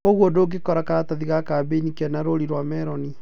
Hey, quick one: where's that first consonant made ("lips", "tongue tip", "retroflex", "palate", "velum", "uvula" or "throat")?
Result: velum